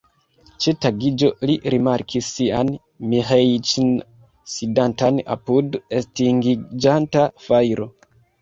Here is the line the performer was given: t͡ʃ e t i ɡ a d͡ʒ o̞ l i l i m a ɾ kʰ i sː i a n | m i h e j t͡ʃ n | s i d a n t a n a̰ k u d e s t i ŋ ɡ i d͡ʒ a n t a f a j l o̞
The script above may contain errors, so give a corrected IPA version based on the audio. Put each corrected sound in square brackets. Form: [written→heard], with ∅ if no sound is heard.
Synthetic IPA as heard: t͡ʃ e t [i→a] ɡ [a→i] d͡ʒ o̞ l i [l→ɾ] i m a ɾ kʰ i sː i a n | m i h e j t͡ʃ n | s i d a n t a n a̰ [k→p] u d e s t i ŋ ɡ i d͡ʒ a n t a f a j [l→ɾ] o̞